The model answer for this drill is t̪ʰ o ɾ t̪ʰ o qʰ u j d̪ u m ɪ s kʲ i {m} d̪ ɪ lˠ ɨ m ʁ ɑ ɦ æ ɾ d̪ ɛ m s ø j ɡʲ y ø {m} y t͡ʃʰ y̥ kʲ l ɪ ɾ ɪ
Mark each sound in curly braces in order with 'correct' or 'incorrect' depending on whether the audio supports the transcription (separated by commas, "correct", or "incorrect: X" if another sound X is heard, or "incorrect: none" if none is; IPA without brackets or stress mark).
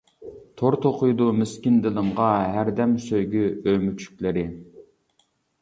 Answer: incorrect: n, correct